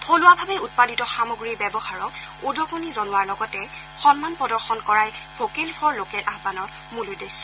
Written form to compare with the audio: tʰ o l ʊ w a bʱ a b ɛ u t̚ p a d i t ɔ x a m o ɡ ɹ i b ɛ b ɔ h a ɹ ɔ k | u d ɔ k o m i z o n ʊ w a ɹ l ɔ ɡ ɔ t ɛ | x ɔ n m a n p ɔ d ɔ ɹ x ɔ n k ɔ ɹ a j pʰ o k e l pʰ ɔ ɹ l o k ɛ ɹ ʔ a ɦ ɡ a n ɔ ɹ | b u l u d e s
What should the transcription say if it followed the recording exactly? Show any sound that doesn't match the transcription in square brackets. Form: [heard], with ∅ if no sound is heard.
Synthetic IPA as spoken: tʰ o l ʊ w a bʱ a b ɛ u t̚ p a d i t ɔ x a m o ɡ ɹ i b ɛ b ɔ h a ɹ ɔ k | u d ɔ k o [n] i z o n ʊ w a ɹ l ɔ ɡ ɔ t ɛ | x ɔ n m a n p ɔ d ɔ ɹ x ɔ n k ɔ ɹ a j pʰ o k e l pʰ ɔ ɹ l o k ɛ ɹ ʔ a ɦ [b] a n ɔ ɹ | [m] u l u d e s